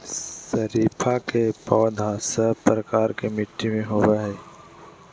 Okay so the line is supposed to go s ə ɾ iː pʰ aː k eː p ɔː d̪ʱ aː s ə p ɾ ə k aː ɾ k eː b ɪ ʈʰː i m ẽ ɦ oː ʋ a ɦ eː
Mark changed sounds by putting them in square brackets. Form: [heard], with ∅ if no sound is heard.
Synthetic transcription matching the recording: s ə ɾ iː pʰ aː k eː p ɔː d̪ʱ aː s ə p ɾ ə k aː ɾ k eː [m] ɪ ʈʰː i m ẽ ɦ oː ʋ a ɦ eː